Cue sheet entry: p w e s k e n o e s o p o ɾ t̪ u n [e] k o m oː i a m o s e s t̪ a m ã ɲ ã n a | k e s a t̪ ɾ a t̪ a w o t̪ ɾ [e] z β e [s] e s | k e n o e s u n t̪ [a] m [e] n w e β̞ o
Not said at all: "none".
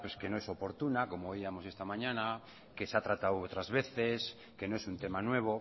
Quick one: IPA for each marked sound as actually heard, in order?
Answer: a, a, θ, e, a

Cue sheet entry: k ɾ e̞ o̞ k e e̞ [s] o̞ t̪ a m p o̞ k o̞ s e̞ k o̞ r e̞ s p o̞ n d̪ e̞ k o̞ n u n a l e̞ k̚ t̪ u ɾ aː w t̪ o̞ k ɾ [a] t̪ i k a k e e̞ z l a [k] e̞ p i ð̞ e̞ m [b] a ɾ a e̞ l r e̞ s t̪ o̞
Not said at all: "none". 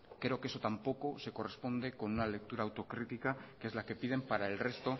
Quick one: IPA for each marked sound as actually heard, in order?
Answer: s, i, k, p

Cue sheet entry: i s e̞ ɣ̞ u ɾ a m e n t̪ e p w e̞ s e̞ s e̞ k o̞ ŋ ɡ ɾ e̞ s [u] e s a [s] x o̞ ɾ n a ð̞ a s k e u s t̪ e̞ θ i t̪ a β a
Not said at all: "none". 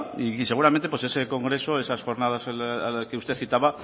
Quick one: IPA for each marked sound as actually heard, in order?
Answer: o, s

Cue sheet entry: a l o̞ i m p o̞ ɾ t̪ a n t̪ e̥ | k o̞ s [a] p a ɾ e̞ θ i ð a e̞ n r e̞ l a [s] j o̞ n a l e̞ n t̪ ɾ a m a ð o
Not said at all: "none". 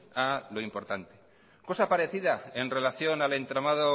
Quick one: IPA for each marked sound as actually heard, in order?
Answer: a, θ

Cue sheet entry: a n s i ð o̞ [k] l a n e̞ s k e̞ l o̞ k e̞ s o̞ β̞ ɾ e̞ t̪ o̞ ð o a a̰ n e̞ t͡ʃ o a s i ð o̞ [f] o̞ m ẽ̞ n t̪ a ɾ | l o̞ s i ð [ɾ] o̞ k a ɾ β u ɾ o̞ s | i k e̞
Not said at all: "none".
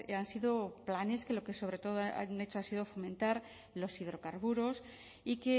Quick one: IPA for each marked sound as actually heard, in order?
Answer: p, f, ɾ

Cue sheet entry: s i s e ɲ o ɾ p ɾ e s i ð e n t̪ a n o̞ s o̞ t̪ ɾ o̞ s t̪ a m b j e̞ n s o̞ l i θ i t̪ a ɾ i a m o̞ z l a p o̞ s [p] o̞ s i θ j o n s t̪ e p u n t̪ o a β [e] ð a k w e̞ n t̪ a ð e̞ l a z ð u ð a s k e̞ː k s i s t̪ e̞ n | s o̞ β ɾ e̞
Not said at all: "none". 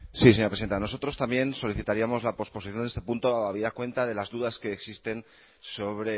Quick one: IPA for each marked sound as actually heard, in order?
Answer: p, i

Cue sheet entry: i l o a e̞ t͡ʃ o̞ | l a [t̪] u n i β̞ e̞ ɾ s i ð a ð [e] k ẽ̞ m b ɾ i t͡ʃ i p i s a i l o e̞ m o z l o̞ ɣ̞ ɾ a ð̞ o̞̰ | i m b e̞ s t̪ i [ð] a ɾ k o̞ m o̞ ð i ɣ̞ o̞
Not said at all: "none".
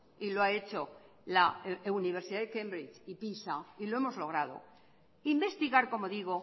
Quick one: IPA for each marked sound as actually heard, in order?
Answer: none, e, ɣ

